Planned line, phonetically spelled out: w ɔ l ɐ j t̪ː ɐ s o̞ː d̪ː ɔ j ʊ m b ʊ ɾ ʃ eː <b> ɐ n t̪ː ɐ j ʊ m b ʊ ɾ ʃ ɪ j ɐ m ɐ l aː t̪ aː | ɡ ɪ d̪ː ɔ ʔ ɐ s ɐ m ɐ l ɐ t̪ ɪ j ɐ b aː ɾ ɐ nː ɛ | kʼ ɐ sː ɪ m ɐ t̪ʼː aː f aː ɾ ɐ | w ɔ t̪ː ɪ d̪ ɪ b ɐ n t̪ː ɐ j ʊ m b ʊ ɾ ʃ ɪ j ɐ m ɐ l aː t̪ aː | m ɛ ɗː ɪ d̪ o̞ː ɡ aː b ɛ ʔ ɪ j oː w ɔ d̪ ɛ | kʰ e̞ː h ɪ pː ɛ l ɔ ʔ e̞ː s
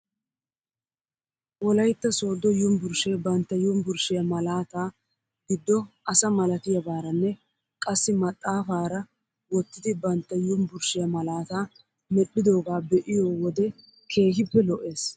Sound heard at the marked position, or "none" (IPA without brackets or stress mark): b